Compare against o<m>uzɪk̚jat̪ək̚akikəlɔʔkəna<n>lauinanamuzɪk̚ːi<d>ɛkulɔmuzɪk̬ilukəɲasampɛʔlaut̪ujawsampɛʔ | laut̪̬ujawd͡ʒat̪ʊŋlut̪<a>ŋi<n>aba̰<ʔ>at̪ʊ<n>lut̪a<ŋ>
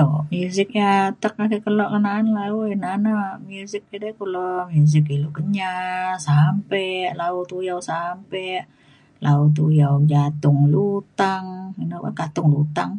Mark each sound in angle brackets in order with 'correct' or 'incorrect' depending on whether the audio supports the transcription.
correct, correct, correct, correct, correct, incorrect, incorrect, correct

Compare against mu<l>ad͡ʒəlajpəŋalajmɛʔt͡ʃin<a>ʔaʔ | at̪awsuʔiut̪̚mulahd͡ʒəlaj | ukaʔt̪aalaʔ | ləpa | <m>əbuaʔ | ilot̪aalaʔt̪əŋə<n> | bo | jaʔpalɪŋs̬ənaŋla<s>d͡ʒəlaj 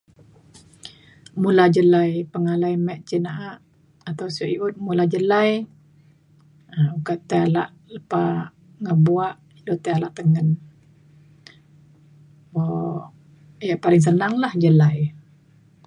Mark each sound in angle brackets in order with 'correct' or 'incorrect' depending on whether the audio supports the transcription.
correct, correct, incorrect, correct, incorrect

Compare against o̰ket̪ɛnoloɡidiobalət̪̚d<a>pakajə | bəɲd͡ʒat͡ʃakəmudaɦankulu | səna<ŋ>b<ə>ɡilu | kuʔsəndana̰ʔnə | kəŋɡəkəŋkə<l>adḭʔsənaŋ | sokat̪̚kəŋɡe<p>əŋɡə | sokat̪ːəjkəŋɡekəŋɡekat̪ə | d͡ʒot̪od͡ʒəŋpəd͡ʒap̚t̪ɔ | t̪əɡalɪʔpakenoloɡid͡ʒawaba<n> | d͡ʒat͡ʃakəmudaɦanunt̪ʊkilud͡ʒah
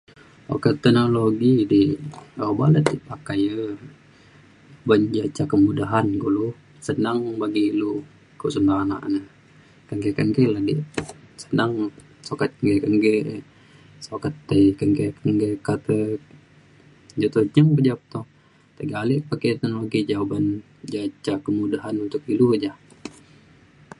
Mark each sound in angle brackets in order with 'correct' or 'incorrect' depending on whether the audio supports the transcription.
incorrect, correct, incorrect, correct, incorrect, correct

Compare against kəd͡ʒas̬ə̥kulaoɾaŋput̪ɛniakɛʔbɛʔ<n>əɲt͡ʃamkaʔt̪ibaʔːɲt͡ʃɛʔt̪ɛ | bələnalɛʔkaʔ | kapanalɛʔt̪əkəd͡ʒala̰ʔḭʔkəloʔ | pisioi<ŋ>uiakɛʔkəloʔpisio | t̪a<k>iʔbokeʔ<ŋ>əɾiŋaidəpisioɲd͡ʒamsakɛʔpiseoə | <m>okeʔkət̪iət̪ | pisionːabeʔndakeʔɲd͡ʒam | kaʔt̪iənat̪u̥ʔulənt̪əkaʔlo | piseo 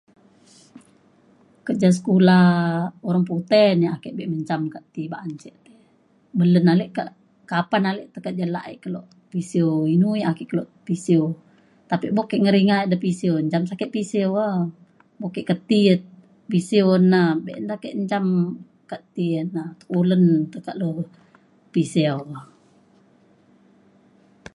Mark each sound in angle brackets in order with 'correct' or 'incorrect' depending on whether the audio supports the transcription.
incorrect, incorrect, incorrect, correct, incorrect

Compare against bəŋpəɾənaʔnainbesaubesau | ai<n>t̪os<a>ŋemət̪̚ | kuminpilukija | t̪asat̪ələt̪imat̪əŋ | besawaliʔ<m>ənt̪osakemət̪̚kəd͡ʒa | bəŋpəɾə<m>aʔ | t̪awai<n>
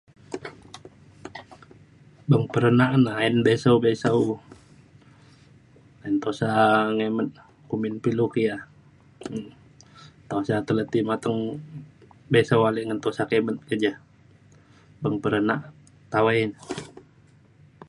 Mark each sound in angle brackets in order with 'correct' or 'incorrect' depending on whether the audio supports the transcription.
correct, correct, incorrect, incorrect, correct

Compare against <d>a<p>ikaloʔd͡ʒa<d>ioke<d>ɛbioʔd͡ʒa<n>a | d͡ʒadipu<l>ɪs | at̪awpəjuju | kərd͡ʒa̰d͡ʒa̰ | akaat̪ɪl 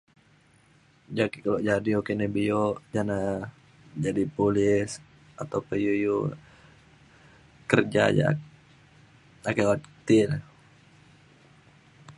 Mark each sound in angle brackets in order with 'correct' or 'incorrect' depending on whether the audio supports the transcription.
incorrect, incorrect, correct, incorrect, correct, correct

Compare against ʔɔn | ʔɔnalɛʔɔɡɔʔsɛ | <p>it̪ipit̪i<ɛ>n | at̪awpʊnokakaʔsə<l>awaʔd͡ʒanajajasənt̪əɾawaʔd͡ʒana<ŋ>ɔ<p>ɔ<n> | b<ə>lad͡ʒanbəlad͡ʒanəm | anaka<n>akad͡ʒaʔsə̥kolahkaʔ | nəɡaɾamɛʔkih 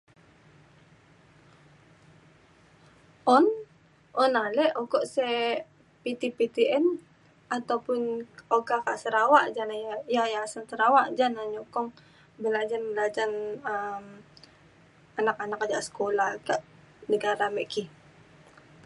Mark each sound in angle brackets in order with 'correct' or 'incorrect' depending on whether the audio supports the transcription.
correct, correct, incorrect, incorrect, incorrect, incorrect, correct, correct

